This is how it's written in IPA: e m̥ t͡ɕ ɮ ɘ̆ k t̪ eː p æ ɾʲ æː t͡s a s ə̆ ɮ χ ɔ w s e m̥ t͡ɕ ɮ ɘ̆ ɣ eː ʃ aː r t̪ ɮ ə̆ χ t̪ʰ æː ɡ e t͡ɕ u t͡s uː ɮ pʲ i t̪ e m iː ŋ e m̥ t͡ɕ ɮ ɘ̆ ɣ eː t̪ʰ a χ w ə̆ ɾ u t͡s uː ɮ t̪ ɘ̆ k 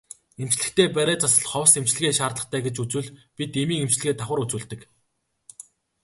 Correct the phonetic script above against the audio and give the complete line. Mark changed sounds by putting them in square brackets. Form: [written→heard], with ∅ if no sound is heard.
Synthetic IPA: e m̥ t͡ɕ ɮ ɘ̆ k t̪ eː p æ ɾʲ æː t͡s a s ə̆ ɮ χ ɔ w s e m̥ t͡ɕ ɮ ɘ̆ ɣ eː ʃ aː r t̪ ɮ ə̆ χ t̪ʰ æː ɡ e t͡ɕ u t͡s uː ɮ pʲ i t̪ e m iː ŋ e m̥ t͡ɕ ɮ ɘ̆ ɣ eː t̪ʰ a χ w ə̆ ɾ u t͡s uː ɮ t̪ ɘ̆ k